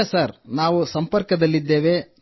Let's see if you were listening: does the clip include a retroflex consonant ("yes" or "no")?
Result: no